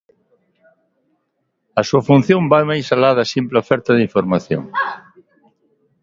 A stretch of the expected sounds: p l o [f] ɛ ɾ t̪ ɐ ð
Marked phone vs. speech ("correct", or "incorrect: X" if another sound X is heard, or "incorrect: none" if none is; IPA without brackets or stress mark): correct